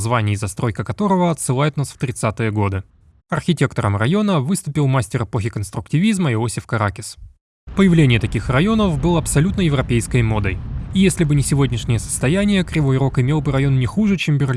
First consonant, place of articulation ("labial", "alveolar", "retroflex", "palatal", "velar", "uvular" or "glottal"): alveolar